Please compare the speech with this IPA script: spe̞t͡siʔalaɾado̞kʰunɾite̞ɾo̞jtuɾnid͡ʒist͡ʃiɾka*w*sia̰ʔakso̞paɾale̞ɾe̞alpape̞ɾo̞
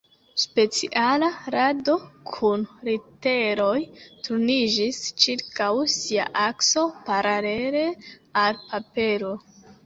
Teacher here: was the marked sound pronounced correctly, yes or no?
yes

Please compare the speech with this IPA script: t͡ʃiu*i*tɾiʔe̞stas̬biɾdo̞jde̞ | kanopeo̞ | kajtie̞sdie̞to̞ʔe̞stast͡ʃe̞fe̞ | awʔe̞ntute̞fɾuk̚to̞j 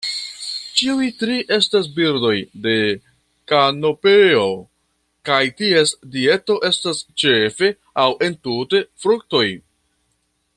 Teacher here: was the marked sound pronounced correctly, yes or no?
no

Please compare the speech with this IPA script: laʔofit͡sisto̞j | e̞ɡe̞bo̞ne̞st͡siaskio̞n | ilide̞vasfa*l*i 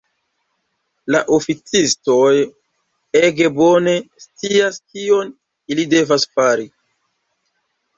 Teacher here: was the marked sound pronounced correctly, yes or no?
no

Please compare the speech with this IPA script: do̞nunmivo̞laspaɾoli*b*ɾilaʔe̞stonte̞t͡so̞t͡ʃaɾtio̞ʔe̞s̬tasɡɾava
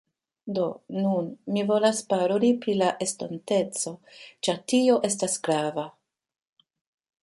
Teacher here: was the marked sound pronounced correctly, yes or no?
no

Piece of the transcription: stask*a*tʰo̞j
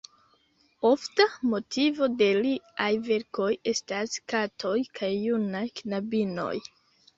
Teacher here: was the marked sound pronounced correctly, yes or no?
yes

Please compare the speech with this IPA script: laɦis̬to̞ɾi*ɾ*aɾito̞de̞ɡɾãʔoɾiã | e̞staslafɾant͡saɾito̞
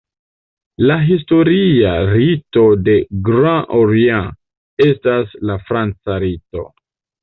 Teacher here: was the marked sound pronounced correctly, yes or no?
no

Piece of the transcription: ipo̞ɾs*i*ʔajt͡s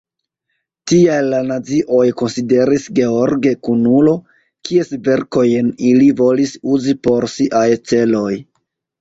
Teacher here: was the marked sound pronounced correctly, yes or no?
yes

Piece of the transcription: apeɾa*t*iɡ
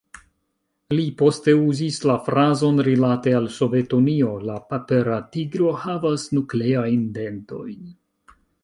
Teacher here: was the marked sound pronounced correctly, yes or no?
yes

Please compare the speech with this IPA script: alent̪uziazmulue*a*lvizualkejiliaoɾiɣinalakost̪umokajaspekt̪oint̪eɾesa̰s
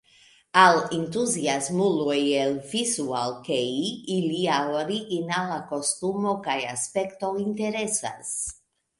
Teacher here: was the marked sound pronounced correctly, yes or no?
no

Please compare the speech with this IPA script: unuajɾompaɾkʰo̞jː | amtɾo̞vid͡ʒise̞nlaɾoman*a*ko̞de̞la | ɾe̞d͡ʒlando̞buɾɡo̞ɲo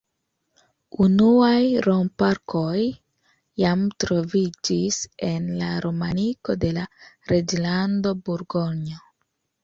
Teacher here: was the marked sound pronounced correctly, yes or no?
no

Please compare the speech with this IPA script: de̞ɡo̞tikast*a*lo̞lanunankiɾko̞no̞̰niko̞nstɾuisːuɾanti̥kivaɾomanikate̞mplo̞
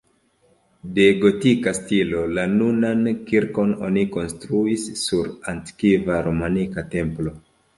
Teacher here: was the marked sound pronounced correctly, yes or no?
no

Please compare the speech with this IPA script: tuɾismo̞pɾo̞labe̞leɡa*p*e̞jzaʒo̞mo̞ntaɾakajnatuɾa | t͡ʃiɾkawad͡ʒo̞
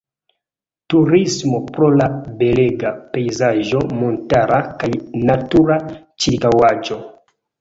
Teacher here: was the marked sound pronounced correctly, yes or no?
yes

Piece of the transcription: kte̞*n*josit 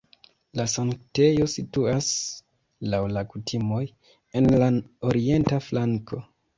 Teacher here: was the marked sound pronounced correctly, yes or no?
no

